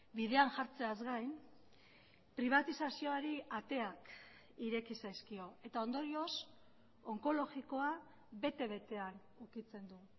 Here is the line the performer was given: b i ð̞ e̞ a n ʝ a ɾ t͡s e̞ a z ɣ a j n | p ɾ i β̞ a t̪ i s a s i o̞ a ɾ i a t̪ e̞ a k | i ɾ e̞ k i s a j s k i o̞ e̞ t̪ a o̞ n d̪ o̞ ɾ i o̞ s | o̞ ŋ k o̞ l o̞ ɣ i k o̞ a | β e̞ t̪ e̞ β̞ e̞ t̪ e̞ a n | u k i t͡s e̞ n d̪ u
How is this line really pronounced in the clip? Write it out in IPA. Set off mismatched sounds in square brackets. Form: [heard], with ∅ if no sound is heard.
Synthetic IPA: b i ð̞ e̞ a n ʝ a ɾ t͡s e̞ a z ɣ a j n | p ɾ i β̞ a t̪ i s a s i o̞ a ɾ i a t̪ e̞ a k | i ɾ e̞ k i s a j s k i o̞ e̞ t̪ a o̞ n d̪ o̞ ɾ i o̞ s | o̞ ŋ k o̞ l o̞ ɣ i k o̞ a | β e̞ t̪ e̞ β̞ e̞ t̪ e̞ a n | u k i t͡s e̞ n d̪ u